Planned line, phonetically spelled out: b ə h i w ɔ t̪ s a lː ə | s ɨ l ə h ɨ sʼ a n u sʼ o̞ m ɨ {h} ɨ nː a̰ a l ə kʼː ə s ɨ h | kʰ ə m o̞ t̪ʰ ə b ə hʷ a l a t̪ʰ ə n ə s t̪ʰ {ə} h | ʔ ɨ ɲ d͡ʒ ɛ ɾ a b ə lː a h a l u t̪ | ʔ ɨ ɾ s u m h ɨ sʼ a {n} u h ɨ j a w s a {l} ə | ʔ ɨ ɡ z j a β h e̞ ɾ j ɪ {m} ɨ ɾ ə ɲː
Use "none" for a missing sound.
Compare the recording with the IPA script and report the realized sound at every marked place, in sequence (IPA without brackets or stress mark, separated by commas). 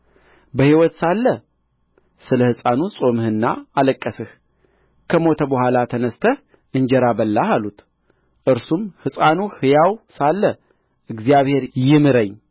h, ə, n, lː, m